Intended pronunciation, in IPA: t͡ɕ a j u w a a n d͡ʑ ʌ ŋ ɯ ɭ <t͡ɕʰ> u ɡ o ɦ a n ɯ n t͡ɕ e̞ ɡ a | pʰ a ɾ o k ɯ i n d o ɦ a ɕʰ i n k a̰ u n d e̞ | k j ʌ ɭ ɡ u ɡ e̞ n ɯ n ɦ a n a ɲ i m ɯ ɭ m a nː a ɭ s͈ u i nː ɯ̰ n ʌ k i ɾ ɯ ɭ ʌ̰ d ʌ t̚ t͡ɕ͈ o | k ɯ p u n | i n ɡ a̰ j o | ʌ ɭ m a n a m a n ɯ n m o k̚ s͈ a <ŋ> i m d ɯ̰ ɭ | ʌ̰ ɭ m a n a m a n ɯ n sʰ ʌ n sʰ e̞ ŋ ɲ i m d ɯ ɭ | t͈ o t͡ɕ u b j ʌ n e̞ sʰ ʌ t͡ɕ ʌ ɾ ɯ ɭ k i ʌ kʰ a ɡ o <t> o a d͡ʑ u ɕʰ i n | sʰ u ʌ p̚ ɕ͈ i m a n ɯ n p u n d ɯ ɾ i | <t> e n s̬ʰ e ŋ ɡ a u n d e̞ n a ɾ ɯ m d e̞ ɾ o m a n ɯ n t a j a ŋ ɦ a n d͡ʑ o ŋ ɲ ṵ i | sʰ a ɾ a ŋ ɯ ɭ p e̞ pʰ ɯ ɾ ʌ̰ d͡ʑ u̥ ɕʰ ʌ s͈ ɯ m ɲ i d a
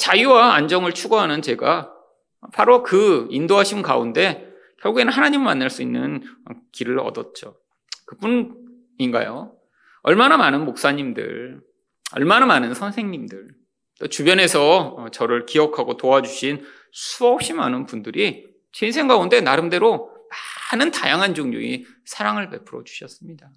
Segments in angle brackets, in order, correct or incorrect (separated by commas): correct, incorrect, correct, incorrect